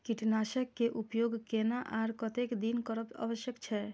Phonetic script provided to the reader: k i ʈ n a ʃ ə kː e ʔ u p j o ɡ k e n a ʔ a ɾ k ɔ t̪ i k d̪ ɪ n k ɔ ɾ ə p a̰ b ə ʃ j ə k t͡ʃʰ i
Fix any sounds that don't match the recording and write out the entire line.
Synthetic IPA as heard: k i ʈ n a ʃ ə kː e ʔ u p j o ɡ k e n a ʔ a ɾ k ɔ t̪ e k d̪ i n k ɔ ɾ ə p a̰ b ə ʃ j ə k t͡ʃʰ ɛ